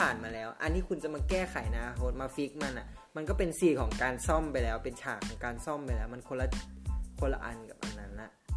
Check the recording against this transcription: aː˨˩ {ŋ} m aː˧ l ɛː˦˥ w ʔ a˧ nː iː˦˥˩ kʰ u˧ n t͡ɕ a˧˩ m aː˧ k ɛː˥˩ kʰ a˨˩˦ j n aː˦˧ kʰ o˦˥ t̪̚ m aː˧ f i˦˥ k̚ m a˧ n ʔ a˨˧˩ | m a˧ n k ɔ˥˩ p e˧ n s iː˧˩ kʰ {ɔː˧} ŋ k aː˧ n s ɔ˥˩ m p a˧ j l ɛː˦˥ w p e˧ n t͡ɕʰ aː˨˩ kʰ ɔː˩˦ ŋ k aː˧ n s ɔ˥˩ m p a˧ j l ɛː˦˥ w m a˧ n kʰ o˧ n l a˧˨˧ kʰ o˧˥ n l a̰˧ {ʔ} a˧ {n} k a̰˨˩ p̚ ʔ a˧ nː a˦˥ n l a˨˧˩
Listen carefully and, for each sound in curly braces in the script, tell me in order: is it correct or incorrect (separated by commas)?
incorrect, incorrect, correct, correct